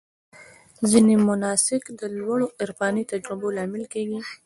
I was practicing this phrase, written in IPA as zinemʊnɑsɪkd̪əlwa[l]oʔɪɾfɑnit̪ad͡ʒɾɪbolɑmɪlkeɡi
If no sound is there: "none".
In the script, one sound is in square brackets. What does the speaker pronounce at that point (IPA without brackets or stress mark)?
ɽ